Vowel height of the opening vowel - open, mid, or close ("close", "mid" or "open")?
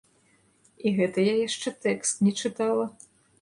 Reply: close